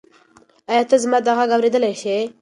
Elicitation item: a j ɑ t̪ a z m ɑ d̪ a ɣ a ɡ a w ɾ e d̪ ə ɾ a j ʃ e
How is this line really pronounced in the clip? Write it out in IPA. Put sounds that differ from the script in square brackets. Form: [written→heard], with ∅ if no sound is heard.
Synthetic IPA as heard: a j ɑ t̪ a z m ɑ d̪ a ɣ a ɡ a w ɾ e d̪ ə [ɾ→l] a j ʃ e